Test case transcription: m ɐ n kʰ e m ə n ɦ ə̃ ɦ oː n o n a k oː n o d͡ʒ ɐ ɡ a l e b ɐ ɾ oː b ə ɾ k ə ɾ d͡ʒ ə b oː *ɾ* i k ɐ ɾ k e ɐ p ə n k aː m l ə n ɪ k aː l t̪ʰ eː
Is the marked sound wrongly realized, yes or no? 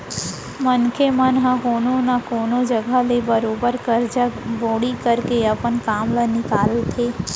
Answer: yes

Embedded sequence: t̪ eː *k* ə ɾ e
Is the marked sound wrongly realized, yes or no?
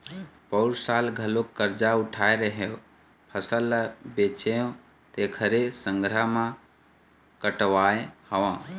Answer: yes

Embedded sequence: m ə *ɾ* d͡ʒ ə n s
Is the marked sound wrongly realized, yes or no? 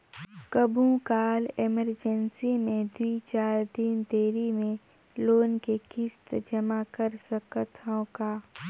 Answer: no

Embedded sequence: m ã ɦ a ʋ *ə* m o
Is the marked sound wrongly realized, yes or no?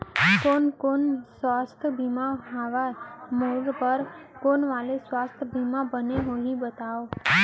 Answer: yes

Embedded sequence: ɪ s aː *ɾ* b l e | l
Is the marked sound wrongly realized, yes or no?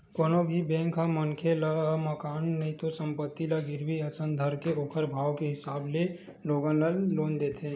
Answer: yes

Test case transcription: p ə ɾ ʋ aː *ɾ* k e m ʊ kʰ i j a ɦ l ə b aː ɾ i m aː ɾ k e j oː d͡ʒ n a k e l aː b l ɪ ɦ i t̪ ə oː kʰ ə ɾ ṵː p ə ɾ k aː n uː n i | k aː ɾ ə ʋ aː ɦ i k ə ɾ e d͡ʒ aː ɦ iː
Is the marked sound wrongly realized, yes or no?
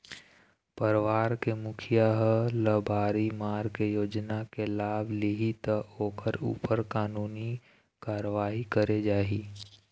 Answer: no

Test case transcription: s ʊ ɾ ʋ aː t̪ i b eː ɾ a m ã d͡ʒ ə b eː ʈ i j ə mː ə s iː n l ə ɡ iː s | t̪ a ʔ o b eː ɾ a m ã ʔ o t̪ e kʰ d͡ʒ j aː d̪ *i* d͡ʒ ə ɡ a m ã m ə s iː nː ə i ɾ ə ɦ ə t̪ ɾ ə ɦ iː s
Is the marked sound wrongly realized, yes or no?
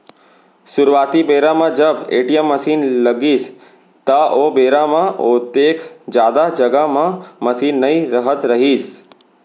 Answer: yes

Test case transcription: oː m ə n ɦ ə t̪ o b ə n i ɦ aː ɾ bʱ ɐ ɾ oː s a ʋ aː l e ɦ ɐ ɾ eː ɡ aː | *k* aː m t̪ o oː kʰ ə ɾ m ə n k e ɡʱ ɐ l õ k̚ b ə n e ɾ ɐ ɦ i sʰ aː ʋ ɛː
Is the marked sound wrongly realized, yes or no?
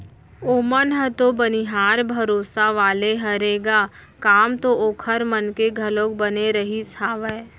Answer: no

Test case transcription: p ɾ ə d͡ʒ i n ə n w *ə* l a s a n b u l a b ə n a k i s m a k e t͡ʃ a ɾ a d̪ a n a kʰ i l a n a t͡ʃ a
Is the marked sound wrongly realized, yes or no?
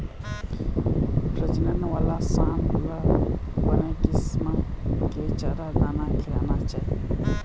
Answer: yes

